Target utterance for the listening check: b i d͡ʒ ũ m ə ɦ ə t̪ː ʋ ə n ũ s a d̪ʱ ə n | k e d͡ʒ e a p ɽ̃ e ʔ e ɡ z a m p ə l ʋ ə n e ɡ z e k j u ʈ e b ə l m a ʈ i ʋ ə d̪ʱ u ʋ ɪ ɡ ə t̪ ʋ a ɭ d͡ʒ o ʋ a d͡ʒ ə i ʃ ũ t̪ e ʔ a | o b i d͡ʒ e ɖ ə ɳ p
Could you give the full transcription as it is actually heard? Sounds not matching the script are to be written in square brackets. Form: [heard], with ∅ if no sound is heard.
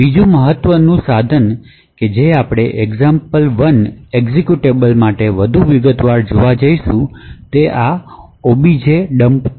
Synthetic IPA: b i d͡ʒ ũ m ə ɦ ə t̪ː ʋ ə n ũ s a d̪ʱ ə n | k e d͡ʒ e a p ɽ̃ e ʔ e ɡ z a m p ə l ʋ ə n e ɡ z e k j u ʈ e b ə l m a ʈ [e] ʋ ə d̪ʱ u ʋ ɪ ɡ ə t̪ ʋ a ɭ d͡ʒ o ʋ a d͡ʒ ə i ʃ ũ t̪ e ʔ a | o b i d͡ʒ e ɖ ə [m] p